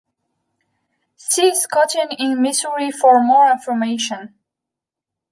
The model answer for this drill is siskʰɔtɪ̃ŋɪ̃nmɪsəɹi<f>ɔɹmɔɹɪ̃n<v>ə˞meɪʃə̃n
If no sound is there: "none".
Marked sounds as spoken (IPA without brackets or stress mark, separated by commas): f, f